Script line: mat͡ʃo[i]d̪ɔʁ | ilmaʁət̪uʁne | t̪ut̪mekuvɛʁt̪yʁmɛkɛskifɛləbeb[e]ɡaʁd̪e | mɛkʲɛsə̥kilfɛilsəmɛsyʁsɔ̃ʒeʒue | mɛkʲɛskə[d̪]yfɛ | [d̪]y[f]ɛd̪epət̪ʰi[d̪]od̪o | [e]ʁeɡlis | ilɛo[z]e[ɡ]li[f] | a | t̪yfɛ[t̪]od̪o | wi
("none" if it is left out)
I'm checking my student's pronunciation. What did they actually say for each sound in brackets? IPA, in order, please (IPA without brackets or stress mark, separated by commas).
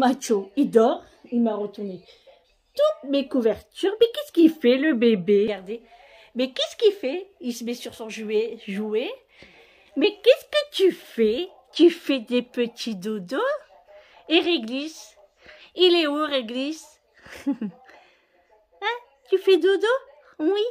i, e, t̪, t̪, f, d̪, e, ʁ, ɡ, s, d̪